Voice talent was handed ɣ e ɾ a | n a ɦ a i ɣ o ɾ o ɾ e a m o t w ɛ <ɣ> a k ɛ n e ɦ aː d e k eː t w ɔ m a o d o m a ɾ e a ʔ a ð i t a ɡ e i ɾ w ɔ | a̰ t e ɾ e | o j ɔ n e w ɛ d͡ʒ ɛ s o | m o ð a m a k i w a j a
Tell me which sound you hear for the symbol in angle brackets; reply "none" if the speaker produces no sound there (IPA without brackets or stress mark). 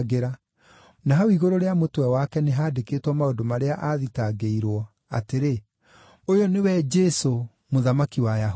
w